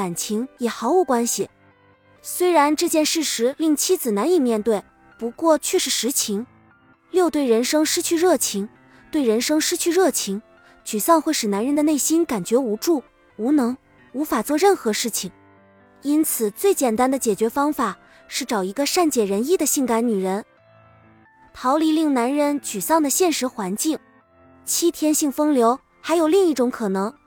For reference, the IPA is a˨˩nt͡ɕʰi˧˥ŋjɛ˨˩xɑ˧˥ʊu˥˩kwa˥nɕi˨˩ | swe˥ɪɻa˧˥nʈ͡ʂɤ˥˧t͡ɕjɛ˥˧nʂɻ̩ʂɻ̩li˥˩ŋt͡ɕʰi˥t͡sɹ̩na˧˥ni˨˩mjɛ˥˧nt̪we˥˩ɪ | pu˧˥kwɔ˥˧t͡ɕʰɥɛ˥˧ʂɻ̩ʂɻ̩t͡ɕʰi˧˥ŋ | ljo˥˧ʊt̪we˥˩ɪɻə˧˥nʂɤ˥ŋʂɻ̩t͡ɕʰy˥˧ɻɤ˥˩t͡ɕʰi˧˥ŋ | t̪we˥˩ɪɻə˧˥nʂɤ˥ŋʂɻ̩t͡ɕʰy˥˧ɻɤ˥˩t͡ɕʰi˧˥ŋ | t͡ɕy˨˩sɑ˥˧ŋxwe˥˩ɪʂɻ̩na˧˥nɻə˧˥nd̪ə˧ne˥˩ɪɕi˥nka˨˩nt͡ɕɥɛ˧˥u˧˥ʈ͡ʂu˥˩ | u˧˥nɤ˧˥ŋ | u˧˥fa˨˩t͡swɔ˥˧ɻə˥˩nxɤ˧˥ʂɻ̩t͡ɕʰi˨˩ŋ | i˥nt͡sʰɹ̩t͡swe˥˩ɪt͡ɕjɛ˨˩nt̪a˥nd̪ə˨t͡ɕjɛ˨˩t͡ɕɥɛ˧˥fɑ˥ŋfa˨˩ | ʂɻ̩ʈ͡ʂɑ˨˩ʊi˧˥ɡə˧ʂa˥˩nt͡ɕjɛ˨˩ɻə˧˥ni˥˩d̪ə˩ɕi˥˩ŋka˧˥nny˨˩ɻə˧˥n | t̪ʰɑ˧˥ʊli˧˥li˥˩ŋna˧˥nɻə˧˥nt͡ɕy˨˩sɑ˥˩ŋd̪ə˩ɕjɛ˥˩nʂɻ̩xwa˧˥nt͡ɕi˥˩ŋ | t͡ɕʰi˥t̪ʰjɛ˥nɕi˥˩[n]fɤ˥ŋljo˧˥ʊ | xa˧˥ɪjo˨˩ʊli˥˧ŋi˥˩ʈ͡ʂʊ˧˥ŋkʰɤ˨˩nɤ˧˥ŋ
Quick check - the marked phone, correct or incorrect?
incorrect